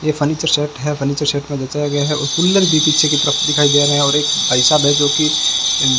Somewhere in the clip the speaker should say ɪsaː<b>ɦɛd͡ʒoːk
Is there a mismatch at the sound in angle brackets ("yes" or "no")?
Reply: no